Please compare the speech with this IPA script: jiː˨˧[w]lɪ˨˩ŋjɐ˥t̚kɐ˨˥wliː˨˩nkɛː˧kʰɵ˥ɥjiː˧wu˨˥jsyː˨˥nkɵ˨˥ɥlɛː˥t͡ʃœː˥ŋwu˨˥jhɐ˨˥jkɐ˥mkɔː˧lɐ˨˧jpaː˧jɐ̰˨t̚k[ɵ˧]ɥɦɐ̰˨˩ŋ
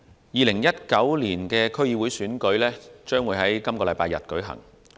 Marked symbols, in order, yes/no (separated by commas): no, no